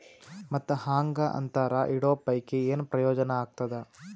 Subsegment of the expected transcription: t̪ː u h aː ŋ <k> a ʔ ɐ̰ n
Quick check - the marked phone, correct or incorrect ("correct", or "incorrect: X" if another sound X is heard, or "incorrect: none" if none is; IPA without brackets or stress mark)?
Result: incorrect: ɡ